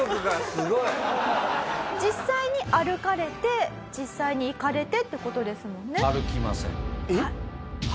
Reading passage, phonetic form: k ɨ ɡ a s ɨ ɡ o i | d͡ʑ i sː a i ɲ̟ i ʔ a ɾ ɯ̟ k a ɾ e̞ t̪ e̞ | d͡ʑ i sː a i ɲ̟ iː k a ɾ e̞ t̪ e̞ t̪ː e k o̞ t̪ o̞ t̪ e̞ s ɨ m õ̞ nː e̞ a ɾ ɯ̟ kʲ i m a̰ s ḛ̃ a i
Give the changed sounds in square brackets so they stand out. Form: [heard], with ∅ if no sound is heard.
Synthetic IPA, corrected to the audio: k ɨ ɡ a s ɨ ɡ o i | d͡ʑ i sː a i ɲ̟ i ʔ a ɾ ɯ̟ k a ɾ e̞ t̪ e̞ | d͡ʑ i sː a i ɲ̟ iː k a ɾ e̞ t̪ e̞ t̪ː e k o̞ t̪ o̞ [d̪] e̞ s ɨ m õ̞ nː e̞ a ɾ ɯ̟ kʲ i m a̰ s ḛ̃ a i